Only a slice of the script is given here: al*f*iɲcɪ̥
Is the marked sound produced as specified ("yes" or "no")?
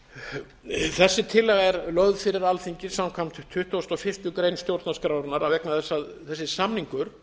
no